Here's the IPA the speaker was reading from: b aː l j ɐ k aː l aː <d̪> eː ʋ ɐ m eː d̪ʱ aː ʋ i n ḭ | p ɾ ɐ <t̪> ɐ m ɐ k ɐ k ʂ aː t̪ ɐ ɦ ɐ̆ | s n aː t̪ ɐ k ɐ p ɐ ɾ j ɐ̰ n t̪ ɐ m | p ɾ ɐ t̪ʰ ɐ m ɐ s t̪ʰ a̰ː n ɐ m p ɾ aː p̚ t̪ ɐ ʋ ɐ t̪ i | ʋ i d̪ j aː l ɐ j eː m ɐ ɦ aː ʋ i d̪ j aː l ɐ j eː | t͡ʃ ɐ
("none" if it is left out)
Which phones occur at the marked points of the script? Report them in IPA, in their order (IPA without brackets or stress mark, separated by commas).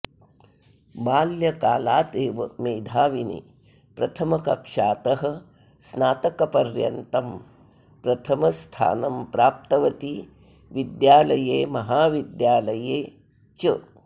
t̪, t̪ʰ